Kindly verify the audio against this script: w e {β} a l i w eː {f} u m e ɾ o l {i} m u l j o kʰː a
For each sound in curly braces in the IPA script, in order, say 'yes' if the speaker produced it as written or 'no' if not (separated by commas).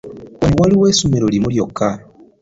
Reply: no, no, yes